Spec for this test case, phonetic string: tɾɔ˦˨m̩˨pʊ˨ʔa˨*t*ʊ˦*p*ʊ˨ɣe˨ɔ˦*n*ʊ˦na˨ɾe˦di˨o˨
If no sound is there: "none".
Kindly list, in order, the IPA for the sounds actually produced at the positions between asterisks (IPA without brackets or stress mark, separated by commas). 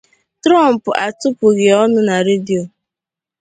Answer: t, p, n